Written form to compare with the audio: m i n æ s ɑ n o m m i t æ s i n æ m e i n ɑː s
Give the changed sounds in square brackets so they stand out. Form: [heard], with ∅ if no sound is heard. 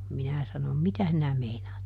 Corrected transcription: m i n æ s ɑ n o m m i t æ s i n æ m e i n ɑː [t]

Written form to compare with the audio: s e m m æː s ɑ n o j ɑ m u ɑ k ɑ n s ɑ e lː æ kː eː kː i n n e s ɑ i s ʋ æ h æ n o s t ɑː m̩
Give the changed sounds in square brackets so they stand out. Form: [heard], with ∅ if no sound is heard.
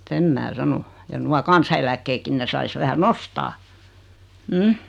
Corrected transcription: s e m m æː s ɑ n o j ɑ [n] u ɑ k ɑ n s ɑ e [l] æ kː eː kː i n n e s ɑ i s ʋ æ h æ n o s t ɑː m̩

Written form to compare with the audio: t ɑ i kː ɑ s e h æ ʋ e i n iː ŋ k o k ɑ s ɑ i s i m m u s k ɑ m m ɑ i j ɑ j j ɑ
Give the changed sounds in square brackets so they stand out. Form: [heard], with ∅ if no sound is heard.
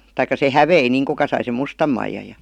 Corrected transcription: t ɑ i kː ɑ s e h æ ʋ e i n iː ŋ k [u] k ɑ s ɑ i s [e] m m u s [t] ɑ m m ɑ i j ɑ j j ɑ

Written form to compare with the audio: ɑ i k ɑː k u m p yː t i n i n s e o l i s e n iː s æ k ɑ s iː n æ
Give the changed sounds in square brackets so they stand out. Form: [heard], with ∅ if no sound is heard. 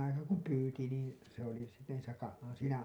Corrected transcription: ɑ i k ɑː k u m p yː t i n [iː] n s e o l i s e n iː s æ k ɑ s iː n æ

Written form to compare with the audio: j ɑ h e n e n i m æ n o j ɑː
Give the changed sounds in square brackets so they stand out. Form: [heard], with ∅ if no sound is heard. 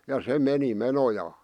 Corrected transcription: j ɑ [s] e [m] e n i m [e] n o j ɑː

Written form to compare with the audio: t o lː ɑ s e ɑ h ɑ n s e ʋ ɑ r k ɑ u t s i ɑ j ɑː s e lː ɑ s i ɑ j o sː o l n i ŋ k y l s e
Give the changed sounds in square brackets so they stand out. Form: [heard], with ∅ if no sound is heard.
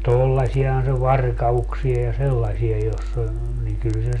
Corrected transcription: t o lː ɑ s [i] ɑ h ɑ n s e ʋ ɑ r k ɑ u [k] s i ɑ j [ɑ] s e lː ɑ s i ɑ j o sː o l n i ŋ k y l s e

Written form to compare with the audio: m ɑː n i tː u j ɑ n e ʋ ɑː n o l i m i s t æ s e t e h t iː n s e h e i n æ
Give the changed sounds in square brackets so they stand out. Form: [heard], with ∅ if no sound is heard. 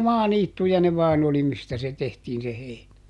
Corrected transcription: m ɑː n [iː] tː u j ɑ n e ʋ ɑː n o l i m i s t æ s e t e h t iː n s e h e i n æ

